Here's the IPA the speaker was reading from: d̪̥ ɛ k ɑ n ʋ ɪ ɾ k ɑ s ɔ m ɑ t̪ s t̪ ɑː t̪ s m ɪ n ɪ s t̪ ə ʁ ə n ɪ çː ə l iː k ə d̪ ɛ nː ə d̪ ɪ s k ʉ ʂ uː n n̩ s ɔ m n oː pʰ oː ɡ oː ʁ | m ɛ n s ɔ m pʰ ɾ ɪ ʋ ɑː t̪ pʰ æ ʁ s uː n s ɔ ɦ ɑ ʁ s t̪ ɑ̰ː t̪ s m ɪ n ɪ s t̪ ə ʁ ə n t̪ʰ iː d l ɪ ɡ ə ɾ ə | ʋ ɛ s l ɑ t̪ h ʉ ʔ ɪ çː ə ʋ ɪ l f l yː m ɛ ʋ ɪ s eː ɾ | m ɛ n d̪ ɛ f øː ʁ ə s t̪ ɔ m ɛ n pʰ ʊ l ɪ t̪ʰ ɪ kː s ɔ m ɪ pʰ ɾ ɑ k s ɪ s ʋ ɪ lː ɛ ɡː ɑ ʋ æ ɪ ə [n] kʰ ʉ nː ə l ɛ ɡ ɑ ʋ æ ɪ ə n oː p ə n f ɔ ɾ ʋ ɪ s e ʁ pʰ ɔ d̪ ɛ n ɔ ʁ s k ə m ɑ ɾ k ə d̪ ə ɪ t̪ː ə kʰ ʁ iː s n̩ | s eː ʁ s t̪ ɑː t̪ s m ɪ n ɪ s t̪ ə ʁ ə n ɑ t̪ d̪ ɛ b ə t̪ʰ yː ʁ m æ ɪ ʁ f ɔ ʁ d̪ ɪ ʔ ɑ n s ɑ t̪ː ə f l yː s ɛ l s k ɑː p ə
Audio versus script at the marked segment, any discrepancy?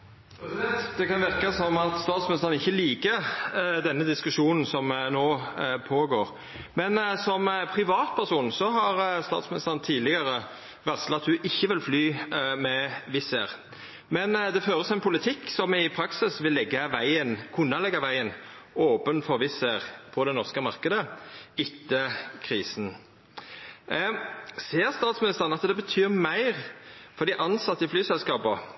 no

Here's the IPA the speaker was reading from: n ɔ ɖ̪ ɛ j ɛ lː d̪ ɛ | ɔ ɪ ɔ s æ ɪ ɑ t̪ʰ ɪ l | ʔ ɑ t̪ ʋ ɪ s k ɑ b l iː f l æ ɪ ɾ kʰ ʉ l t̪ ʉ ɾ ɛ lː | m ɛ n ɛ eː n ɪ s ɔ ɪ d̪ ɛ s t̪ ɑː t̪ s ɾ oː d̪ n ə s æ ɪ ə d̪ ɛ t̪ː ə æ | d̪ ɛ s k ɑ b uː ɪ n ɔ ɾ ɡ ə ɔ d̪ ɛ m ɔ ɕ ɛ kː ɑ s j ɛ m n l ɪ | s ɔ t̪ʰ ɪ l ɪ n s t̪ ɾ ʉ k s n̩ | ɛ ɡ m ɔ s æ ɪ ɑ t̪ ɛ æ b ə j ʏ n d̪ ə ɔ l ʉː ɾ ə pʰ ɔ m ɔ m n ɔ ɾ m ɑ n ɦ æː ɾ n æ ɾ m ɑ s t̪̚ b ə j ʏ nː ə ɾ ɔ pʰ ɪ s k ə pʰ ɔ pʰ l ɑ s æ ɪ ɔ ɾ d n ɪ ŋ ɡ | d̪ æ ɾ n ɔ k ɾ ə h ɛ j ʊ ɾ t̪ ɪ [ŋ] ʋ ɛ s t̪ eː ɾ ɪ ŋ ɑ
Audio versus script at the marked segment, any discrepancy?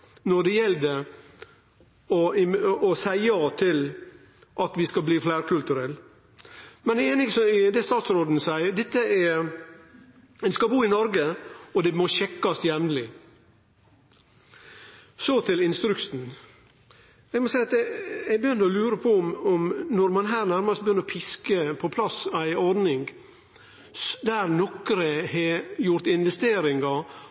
yes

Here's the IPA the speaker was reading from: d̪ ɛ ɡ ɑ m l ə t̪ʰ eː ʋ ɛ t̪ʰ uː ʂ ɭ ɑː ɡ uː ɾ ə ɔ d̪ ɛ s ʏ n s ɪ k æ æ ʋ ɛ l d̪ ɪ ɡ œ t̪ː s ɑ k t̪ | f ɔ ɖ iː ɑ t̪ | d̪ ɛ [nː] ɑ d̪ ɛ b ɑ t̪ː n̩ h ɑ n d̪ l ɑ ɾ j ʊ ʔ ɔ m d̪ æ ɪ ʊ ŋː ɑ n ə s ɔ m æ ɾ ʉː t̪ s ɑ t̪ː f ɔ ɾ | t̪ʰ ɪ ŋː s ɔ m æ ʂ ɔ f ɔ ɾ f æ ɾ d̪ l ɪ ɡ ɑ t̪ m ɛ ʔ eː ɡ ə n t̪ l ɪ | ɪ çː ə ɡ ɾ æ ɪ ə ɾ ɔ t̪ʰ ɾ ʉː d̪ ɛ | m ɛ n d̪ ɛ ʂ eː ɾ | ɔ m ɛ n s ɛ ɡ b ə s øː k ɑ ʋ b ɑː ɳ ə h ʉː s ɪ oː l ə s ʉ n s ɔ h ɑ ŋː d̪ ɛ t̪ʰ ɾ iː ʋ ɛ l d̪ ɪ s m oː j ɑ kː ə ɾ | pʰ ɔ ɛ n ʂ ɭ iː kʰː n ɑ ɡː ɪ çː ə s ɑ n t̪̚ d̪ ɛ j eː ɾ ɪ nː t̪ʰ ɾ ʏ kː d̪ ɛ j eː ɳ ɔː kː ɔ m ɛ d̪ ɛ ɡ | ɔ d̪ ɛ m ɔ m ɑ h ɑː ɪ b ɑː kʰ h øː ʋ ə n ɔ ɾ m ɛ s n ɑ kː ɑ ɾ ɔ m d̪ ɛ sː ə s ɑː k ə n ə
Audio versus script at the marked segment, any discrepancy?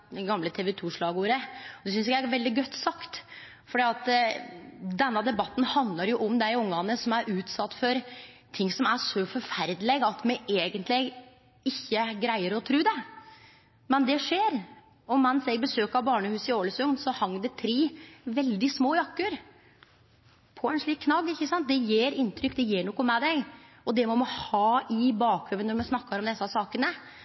no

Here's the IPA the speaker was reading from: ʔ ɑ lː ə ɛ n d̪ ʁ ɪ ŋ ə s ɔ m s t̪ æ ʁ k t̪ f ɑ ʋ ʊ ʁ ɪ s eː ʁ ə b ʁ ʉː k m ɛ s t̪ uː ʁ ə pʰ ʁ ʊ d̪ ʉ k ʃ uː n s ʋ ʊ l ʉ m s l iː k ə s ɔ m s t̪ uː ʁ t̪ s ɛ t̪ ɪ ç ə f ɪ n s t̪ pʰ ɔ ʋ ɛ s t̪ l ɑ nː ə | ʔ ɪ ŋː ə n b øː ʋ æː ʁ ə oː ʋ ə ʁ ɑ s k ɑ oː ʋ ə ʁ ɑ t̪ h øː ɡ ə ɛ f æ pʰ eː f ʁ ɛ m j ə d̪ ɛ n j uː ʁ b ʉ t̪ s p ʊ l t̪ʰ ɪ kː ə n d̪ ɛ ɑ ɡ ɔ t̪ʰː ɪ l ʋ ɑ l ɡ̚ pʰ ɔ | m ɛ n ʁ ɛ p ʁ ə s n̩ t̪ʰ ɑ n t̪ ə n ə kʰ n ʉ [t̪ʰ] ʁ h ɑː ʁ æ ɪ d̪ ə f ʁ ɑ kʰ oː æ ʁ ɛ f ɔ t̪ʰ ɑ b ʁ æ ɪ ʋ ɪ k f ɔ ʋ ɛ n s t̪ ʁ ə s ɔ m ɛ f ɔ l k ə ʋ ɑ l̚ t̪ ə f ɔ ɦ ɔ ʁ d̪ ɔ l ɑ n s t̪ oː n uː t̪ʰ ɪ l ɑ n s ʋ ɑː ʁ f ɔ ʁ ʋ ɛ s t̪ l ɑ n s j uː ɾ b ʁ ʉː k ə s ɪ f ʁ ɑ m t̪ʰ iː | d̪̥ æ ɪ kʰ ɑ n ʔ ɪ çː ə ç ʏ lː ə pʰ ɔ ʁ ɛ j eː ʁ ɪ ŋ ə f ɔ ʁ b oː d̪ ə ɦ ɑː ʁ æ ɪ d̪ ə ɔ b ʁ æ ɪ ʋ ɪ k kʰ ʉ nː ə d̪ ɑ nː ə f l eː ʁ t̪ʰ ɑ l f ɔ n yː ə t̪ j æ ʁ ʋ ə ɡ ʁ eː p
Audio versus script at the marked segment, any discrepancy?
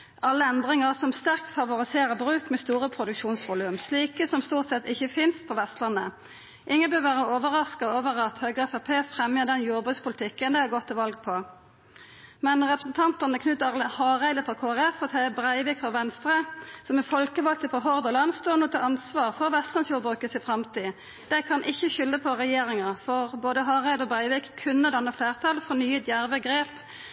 yes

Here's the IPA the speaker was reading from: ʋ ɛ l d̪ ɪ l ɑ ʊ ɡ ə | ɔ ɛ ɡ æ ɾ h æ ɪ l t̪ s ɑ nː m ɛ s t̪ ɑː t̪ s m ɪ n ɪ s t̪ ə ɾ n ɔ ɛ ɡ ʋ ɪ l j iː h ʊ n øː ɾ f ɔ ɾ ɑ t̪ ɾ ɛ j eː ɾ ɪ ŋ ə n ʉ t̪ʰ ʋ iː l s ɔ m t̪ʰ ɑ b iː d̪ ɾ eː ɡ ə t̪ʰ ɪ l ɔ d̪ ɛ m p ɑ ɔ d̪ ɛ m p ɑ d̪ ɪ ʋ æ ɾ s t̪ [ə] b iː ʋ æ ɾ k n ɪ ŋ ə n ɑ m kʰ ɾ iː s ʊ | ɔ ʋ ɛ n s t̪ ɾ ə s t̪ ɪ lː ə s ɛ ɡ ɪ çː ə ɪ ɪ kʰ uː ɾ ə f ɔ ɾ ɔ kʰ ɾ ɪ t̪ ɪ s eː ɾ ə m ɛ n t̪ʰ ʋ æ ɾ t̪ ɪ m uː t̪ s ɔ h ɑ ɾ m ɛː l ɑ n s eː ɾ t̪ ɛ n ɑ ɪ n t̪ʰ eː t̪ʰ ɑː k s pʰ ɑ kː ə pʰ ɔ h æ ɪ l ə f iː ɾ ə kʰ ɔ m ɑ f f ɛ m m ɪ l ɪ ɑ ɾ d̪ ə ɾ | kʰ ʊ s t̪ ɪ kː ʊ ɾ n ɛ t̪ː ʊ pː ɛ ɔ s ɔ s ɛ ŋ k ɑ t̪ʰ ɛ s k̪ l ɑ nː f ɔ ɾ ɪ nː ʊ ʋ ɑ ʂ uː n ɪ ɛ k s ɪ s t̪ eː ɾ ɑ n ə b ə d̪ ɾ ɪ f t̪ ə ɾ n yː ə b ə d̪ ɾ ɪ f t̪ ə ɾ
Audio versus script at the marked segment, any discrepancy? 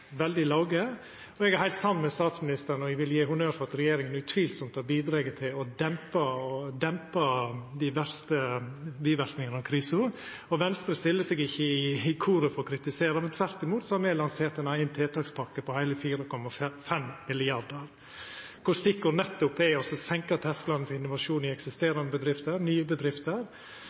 no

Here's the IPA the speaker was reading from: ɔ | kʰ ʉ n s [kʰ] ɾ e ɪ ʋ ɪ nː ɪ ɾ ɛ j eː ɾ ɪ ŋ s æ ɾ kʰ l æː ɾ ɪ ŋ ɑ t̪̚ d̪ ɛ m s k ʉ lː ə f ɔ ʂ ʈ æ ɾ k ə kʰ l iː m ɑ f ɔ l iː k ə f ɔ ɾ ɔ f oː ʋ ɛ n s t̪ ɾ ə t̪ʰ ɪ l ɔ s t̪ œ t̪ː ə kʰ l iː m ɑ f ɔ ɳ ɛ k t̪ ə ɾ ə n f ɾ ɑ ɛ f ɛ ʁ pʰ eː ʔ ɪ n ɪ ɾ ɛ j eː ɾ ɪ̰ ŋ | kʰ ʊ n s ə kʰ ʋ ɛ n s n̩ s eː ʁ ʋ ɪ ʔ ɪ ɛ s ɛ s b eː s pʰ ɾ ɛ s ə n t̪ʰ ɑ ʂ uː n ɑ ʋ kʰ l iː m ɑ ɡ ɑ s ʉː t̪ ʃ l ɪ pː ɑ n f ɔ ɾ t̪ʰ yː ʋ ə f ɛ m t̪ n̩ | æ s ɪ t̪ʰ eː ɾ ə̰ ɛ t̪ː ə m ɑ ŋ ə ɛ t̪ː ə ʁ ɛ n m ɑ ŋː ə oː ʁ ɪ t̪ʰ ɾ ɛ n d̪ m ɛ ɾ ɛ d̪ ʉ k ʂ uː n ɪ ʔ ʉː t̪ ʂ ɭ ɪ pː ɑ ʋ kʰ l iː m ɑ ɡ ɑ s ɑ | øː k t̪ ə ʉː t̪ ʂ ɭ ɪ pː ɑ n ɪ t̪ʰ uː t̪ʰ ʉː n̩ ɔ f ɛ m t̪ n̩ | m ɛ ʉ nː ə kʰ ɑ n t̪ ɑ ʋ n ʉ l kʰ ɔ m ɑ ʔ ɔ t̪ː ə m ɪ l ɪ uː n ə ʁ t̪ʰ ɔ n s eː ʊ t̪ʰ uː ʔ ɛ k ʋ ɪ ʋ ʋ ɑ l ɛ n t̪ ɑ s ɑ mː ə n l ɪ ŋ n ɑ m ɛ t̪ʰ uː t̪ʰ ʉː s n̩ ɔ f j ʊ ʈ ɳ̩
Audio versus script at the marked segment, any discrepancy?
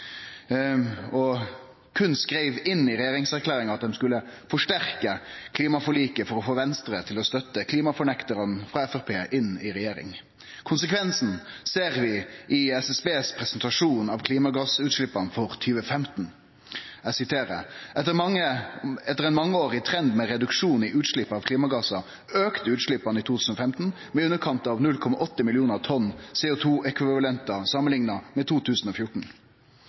yes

